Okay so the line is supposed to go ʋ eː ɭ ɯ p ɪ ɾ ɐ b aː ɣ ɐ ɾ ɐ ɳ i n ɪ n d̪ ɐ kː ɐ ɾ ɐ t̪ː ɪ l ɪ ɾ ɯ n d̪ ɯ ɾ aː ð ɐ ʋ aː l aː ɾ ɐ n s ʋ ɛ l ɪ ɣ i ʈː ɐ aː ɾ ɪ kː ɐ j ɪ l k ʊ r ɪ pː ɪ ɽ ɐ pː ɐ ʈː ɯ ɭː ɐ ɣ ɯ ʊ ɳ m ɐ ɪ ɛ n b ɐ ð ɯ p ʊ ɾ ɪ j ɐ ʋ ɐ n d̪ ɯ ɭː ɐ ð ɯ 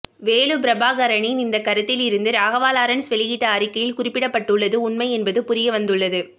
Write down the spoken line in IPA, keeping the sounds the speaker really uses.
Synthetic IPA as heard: ʋ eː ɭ ɯ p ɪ ɾ ɐ b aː ɣ ɐ ɾ ɐ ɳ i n ɪ n d̪ ɐ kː ɐ ɾ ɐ t̪ː ɪ l ɪ ɾ ɯ n d̪ ɯ ɾ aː ɣ ɐ ʋ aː l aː ɾ ɐ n s ʋ ɛ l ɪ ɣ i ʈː ɐ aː ɾ ɪ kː ɐ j ɪ l k ʊ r ɪ pː ɪ ɽ ɐ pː ɐ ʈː ɯ ɭː ɐ ð ɯ ʊ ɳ m ɐ ɪ ɛ n b ɐ ð ɯ p ʊ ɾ ɪ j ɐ ʋ ɐ n d̪ ɯ ɭː ɐ ð ɯ